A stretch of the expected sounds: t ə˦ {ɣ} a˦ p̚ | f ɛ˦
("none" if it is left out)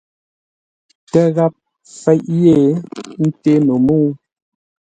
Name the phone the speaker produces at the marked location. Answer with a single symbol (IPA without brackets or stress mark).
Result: ɣ